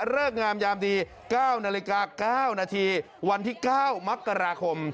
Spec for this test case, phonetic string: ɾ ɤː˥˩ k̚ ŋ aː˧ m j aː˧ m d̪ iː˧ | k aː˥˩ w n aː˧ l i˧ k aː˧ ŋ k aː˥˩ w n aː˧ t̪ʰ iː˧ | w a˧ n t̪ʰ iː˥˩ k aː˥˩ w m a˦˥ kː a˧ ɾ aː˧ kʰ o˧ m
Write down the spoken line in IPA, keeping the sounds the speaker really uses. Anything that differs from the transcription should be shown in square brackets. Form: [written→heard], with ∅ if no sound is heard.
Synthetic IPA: ɾ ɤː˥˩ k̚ ŋ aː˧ m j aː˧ m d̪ iː˧ | k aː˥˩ w n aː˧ l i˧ k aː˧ [ŋ→∅] k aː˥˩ w n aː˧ t̪ʰ iː˧ | w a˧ n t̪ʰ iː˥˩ k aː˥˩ w m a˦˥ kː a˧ ɾ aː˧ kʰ o˧ m